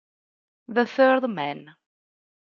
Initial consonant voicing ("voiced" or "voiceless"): voiced